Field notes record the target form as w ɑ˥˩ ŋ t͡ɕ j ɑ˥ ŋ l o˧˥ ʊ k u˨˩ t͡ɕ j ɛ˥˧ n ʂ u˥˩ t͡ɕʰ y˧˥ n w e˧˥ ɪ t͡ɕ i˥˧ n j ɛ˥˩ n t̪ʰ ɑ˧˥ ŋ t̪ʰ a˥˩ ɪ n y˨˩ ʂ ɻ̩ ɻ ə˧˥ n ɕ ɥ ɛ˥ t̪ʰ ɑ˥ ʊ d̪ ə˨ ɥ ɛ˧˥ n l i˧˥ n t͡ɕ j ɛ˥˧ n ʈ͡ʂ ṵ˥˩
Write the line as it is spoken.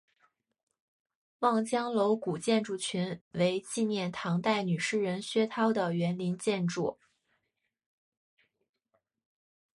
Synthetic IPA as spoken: w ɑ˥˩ ŋ t͡ɕ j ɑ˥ ŋ l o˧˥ ʊ k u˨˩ t͡ɕ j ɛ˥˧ n ʈ͡ʂ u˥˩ t͡ɕʰ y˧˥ n w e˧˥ ɪ t͡ɕ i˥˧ n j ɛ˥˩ n t̪ʰ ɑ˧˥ ŋ t̪ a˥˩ ɪ n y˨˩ ʂ ɻ̩ ɻ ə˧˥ n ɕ ɥ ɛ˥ t̪ʰ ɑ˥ ʊ d̪ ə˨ ɥ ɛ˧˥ n l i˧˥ n t͡ɕ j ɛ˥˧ n ʈ͡ʂ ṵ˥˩